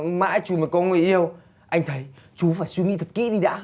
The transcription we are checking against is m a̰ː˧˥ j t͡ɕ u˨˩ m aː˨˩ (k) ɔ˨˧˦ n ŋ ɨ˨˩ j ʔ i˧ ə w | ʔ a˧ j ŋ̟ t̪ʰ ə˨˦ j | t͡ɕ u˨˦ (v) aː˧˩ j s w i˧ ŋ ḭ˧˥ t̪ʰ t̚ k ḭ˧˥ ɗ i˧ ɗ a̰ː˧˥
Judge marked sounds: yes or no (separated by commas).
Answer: yes, no